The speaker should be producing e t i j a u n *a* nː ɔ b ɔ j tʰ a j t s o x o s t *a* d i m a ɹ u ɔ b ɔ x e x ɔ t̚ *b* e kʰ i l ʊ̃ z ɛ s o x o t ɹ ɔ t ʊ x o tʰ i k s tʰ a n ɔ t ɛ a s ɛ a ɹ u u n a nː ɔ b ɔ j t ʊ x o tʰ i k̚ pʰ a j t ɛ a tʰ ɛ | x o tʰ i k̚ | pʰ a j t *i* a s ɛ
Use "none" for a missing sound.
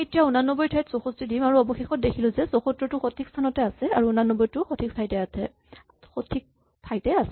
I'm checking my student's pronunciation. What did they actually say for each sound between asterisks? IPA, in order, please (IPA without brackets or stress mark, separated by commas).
a, i, d, ɛ